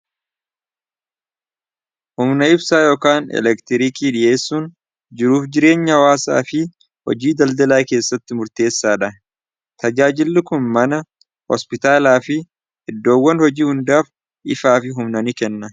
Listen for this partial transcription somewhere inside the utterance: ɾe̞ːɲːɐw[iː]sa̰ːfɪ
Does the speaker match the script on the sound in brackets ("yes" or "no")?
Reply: no